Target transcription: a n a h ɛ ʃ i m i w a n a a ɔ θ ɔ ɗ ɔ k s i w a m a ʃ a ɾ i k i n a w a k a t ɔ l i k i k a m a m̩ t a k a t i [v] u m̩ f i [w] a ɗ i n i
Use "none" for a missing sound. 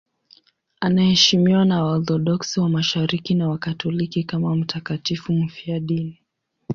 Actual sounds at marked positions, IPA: f, none

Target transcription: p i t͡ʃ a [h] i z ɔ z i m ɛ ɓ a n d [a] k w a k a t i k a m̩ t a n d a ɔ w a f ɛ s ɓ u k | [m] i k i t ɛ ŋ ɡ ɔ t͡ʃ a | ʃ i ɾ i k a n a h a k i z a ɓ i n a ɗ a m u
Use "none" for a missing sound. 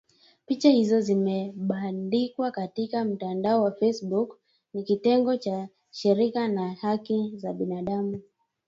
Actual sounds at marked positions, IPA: h, i, n

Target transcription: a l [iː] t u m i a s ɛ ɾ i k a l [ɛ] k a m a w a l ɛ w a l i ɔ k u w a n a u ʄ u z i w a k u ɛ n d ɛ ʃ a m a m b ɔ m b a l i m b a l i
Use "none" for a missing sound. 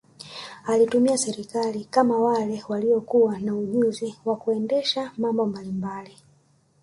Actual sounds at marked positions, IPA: i, i

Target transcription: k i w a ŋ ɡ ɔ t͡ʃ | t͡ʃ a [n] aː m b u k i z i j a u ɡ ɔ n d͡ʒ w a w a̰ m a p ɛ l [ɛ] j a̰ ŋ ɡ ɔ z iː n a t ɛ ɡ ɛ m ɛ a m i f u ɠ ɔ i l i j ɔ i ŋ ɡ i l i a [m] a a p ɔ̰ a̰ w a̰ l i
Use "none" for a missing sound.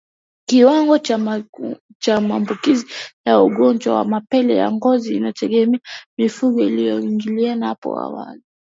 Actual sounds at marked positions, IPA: m, ɛ, n

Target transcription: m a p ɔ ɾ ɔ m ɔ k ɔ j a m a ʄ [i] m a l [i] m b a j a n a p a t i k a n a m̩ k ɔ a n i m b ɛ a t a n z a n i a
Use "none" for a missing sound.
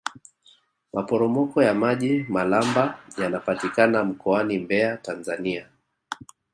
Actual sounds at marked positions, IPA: i, a

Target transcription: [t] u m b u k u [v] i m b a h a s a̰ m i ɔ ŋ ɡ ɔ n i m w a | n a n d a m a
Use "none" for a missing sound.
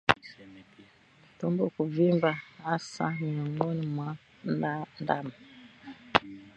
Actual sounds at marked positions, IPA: t, v

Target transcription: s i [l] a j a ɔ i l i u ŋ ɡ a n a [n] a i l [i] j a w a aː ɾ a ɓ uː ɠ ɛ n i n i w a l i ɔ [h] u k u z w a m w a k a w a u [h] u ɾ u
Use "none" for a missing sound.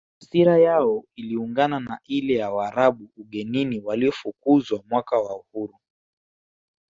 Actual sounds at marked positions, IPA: ɾ, n, ɛ, f, h

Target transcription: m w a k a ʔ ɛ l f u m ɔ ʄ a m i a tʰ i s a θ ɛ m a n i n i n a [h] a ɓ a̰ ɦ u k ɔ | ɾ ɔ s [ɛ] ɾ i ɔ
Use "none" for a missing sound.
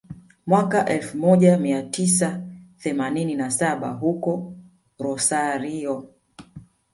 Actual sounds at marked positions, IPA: s, a

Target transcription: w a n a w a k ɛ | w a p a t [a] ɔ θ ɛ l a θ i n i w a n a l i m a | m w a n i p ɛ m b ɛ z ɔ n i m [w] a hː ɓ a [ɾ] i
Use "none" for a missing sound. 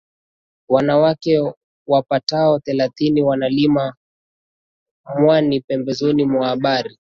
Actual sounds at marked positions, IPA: a, w, ɾ

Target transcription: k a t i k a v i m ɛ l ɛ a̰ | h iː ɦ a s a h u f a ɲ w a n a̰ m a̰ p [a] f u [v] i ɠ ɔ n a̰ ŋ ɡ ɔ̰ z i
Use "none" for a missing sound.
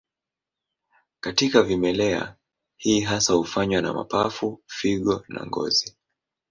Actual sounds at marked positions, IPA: a, f

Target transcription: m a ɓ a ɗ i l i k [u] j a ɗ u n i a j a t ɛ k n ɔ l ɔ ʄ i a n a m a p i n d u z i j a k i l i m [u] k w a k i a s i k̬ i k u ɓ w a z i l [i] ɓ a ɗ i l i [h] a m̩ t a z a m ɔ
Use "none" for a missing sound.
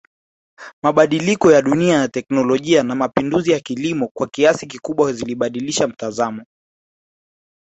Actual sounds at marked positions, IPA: ɔ, ɔ, i, ʃ

